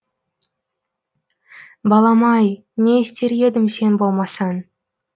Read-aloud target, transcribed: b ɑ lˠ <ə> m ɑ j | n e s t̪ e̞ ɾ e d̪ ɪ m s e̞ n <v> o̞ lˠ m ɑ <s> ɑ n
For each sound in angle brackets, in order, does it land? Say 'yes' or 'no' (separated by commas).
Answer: no, no, yes